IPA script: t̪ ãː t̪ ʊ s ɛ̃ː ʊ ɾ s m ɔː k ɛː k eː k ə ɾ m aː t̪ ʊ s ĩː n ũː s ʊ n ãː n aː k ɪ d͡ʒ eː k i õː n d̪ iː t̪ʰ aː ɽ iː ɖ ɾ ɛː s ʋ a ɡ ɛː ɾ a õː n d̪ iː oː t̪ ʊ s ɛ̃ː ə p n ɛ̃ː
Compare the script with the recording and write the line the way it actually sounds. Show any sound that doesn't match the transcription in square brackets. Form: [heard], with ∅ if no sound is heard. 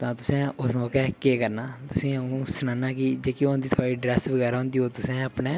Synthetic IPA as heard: t̪ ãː t̪ ʊ s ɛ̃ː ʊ [∅] s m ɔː k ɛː k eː k ə ɾ [n] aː t̪ ʊ s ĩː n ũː s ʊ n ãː n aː k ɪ d͡ʒ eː k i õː n d̪ iː t̪ʰ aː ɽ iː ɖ ɾ ɛː s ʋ [ə] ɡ ɛː ɾ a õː n d̪ iː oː t̪ ʊ s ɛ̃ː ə p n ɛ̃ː